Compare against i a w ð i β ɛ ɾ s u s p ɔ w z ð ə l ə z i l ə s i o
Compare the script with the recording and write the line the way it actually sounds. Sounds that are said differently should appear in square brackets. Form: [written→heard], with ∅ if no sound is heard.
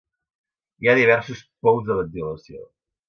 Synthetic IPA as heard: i a [w→∅] ð i β ɛ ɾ s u s p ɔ w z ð ə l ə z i l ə s i o